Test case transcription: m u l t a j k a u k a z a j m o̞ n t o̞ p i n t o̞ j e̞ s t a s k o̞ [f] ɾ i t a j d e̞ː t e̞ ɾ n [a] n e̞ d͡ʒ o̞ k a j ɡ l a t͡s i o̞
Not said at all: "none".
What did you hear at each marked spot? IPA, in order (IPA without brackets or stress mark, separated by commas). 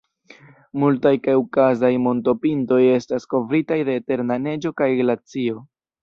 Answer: v, a